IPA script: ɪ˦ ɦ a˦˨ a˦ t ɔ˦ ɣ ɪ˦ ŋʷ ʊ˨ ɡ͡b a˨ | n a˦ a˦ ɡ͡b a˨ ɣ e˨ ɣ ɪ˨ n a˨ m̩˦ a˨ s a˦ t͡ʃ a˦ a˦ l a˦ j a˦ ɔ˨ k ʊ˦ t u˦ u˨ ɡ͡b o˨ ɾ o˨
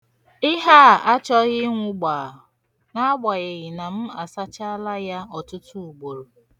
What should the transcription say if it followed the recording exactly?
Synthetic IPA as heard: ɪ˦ ɦ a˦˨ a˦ t͡ʃ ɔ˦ ɣ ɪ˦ ŋʷ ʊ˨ ɡ͡b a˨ | n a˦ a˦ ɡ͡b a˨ ɣ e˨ ɣ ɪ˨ n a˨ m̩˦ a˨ s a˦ t͡ʃ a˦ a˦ l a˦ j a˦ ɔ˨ t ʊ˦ t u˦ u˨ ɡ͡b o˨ ɾ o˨